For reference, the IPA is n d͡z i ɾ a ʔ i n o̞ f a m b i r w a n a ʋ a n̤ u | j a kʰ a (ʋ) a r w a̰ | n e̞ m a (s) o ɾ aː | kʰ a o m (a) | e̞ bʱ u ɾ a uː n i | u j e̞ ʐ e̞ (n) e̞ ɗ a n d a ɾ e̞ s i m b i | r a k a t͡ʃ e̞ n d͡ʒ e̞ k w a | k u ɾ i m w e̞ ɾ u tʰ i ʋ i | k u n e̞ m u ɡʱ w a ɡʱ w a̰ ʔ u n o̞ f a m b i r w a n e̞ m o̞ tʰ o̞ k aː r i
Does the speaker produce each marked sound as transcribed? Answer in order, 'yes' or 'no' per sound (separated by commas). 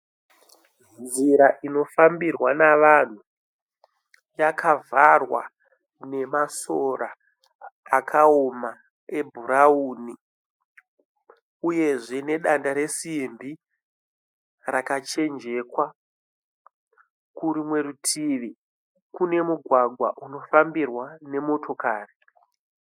no, yes, yes, yes